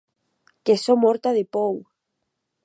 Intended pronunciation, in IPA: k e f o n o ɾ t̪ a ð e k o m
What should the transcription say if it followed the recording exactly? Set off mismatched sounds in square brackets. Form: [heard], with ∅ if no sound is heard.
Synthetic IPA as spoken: k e [s] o [m] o ɾ t̪ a ð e [p] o [ŋ]

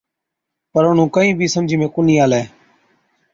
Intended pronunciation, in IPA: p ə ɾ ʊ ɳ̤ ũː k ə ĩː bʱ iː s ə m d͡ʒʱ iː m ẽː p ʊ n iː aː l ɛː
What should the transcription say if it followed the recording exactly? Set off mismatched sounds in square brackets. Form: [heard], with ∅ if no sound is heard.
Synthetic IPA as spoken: p ə ɾ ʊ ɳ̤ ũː k ə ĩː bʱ iː s ə m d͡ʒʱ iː m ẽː [k] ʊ n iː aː l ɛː

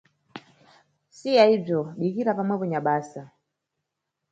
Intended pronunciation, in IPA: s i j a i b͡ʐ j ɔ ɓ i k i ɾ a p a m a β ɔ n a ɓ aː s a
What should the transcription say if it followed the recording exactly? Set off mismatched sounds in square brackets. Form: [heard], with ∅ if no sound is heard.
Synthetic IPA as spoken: s i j a i b͡ʐ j ɔ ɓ i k i ɾ a p a m a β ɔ [ɲ] a ɓ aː s a

